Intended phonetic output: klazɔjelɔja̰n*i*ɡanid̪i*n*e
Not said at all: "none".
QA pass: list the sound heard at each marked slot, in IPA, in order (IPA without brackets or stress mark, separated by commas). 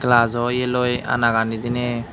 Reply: a, n